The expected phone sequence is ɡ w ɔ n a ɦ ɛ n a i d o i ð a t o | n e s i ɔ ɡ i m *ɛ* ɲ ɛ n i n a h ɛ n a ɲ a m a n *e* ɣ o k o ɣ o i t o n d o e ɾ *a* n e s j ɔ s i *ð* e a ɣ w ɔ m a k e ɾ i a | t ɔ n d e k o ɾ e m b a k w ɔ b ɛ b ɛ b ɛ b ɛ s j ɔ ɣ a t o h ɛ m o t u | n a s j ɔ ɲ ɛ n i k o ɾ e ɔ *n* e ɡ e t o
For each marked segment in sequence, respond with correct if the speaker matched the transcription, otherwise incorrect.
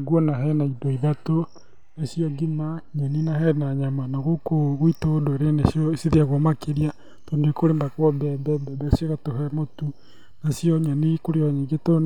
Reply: incorrect: a, incorrect: a, incorrect: e, correct, incorrect: ɲ

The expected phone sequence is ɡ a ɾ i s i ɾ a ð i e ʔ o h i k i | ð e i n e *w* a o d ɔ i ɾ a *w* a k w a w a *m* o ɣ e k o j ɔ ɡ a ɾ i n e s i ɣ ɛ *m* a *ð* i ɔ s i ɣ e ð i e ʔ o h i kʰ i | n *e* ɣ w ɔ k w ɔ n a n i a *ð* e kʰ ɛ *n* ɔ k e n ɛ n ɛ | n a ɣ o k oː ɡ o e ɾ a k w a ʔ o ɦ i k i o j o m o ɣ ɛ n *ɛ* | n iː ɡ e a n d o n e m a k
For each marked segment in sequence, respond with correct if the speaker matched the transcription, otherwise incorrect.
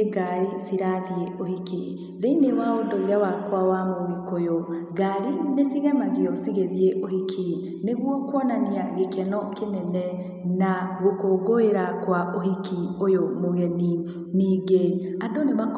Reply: correct, correct, correct, correct, incorrect: ɣ, correct, incorrect: ɣ, correct, incorrect: i

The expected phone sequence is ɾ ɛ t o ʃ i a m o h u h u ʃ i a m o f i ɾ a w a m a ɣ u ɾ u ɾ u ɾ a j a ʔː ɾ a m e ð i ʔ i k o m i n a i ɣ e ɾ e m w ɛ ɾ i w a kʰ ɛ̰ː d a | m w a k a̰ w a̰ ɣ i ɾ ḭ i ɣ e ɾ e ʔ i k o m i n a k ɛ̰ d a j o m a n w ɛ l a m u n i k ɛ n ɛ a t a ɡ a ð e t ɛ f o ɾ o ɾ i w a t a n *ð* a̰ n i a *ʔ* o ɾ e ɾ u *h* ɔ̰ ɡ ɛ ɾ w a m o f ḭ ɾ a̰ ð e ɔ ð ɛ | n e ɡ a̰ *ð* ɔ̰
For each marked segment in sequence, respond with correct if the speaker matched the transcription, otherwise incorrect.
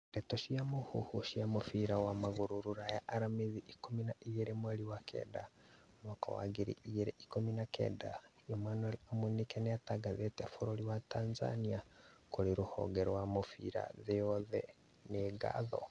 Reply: incorrect: z, incorrect: k, correct, correct

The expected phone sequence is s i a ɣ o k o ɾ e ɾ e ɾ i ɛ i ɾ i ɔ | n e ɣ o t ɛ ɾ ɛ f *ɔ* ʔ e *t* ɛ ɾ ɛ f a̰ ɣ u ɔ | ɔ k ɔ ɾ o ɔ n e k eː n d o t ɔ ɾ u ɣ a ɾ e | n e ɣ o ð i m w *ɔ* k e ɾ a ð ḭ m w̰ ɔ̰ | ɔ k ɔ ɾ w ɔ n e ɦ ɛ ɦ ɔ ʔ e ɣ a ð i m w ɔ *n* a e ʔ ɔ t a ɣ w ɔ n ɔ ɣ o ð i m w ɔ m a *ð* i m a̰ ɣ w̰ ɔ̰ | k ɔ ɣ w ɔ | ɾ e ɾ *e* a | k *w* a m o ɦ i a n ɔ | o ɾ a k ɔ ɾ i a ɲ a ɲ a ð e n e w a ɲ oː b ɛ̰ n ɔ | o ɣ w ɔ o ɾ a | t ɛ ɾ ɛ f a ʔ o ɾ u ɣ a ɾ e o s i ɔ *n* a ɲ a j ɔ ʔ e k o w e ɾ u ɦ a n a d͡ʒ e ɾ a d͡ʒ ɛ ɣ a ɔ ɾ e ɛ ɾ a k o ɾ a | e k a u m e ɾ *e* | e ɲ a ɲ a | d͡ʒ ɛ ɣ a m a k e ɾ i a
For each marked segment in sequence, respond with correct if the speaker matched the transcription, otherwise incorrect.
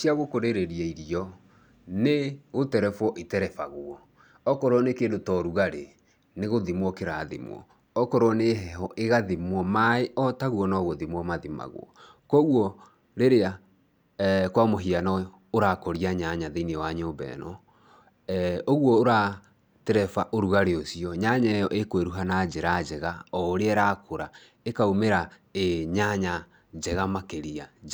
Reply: correct, correct, correct, incorrect: m, correct, correct, correct, incorrect: ɲ, incorrect: a

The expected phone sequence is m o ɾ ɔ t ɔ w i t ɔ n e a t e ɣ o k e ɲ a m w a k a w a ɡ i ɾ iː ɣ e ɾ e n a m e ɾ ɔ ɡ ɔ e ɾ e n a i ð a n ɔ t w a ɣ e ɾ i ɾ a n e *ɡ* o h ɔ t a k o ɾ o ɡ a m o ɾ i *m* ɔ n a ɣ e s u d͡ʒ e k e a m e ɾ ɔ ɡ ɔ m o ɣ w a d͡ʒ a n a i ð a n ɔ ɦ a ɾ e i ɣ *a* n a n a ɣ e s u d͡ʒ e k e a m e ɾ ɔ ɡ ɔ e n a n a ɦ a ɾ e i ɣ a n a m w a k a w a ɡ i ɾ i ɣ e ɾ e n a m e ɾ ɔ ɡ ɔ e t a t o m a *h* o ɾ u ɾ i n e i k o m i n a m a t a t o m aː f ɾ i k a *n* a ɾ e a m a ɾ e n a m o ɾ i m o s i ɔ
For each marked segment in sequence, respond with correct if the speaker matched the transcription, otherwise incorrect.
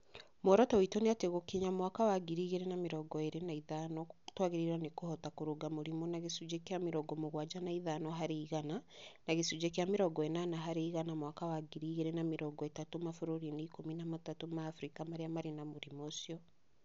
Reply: incorrect: k, correct, correct, incorrect: f, incorrect: m

